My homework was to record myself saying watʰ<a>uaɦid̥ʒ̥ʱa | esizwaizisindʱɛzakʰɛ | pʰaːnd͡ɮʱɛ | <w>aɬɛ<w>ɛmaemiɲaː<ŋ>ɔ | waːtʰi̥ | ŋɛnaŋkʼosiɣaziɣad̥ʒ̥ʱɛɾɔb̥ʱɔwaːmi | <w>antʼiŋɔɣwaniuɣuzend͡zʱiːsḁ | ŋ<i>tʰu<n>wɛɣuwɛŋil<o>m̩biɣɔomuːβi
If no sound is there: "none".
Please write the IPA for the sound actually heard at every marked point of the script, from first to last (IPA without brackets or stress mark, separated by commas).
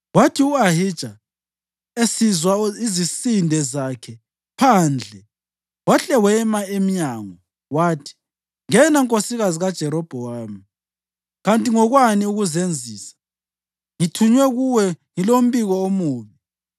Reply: i, w, w, ŋ, ɣ, i, ɲ, o